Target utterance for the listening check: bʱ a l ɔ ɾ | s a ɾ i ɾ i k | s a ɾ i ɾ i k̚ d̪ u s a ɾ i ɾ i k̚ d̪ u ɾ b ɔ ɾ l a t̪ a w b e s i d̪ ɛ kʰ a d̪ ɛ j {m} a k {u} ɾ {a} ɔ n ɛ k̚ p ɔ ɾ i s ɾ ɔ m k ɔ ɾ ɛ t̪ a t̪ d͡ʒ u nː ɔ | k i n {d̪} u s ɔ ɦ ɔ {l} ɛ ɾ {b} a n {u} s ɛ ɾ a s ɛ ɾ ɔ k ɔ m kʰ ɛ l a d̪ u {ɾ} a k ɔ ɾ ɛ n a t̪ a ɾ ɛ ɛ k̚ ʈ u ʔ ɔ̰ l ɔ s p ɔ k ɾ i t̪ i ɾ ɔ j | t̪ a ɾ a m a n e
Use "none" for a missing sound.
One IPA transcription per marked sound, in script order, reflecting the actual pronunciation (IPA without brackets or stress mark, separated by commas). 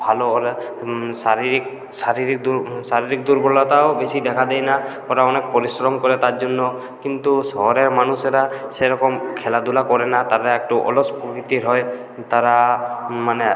n, ɔ, a, t̪, ɾ, m, u, l